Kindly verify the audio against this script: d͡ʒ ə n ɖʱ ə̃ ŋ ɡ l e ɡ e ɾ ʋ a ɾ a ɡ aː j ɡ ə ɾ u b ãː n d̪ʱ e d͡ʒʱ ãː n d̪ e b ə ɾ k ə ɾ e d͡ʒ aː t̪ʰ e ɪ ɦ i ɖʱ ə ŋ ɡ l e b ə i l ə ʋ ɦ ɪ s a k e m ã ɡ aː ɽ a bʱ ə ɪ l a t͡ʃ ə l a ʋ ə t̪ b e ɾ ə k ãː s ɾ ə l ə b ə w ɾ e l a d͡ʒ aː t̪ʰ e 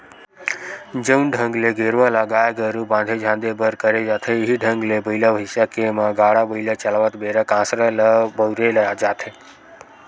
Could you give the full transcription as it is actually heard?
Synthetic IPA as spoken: d͡ʒ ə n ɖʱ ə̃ ŋ ɡ l e ɡ e ɾ ʋ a l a ɡ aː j ɡ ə ɾ u b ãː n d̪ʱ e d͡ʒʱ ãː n d̪ e b ə ɾ k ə ɾ e d͡ʒ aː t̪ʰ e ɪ ɦ i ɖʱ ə ŋ ɡ l e b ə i l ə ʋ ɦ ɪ s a k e m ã ɡ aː ɽ a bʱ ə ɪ l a t͡ʃ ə l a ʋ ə t̪ b e ɾ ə k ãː s ɾ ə l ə b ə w ɾ e l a d͡ʒ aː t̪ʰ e